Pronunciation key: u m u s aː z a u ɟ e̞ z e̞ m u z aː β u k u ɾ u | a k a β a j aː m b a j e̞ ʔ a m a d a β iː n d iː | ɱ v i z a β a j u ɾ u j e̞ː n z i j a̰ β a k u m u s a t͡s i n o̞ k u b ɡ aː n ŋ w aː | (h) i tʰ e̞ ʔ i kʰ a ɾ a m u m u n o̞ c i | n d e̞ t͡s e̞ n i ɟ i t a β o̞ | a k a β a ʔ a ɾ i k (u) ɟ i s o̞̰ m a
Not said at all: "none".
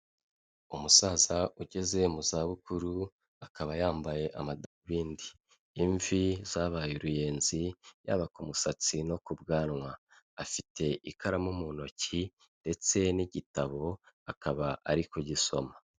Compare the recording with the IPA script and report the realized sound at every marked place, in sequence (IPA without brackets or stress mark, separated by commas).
f, o